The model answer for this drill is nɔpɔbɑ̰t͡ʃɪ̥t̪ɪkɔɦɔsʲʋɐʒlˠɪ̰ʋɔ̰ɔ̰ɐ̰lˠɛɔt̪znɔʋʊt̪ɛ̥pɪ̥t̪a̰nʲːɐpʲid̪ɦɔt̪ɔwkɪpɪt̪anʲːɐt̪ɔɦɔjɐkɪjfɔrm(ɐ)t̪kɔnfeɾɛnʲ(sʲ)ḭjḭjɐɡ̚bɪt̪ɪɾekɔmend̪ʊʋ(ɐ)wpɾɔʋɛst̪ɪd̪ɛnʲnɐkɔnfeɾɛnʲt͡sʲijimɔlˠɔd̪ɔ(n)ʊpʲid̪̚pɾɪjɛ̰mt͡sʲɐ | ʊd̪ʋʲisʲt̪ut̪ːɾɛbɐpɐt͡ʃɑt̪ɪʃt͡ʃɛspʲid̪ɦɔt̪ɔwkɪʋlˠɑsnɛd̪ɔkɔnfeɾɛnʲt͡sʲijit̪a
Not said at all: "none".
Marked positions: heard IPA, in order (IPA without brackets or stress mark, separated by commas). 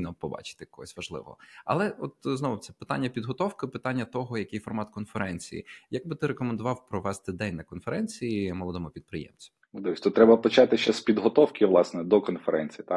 ɑ, t͡sʲ, ɑ, m